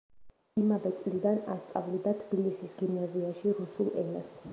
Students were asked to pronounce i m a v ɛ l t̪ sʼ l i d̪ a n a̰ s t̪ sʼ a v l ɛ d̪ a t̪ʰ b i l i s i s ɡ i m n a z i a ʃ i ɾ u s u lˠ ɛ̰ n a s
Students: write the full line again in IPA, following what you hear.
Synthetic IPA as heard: i m a v ɛ t̪ sʼ l i d̪ a n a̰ s t̪ sʼ a v l i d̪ a t̪ʰ b i l i s i s ɡ i m n a z i a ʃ i ɾ u s u lˠ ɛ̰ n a s